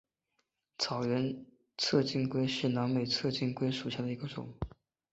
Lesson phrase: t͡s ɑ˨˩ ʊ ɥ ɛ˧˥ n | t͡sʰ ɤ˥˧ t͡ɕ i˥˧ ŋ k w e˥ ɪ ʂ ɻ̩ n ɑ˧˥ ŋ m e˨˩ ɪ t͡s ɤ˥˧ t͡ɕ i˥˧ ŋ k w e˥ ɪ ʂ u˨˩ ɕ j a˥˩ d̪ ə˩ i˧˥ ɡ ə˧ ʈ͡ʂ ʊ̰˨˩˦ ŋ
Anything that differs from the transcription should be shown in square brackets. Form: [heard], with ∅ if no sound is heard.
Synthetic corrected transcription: [t͡sʰ] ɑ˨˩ ʊ ɥ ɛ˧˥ n | t͡sʰ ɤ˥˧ t͡ɕ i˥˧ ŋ k w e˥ ɪ ʂ ɻ̩ n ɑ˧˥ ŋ m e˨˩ ɪ [t͡sʰ] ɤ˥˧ t͡ɕ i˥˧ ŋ k w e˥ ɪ ʂ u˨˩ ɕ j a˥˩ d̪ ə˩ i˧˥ ɡ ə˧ ʈ͡ʂ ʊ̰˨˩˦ ŋ